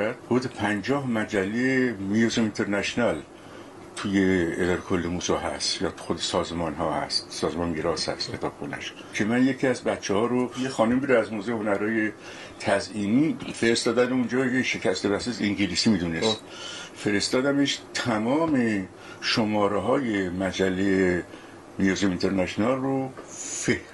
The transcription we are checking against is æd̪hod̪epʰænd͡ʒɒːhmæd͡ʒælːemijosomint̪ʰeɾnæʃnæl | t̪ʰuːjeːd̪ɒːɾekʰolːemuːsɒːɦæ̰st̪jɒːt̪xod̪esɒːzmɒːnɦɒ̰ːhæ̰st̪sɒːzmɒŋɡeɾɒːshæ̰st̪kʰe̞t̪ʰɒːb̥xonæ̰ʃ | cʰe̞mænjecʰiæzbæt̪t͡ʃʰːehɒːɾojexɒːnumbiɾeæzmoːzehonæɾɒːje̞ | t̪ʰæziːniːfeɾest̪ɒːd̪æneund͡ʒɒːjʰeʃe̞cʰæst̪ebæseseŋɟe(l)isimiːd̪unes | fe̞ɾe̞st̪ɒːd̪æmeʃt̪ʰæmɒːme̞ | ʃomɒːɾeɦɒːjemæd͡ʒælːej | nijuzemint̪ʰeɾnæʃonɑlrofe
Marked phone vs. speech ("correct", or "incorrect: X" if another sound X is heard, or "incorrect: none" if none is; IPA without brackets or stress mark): correct